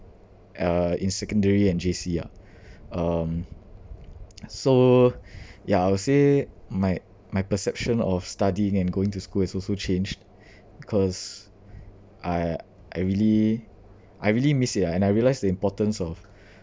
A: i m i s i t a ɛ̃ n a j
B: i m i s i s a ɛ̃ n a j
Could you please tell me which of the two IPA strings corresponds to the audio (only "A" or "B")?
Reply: A